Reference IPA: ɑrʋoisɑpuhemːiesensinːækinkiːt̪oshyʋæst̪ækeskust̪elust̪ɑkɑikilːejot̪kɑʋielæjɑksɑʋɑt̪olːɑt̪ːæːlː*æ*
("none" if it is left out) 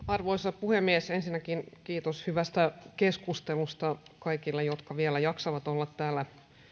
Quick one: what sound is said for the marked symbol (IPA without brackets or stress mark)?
æ